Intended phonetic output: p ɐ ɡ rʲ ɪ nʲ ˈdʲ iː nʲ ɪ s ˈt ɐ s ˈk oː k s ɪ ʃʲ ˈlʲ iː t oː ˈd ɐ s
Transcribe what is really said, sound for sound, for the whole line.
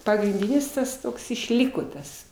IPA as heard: p ɐ ɡ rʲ ɪ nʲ ˈdʲ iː nʲ ɪ s ˈt ɐ s ˈt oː k s ɪ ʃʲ ˈlʲ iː k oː ˈt ɐ s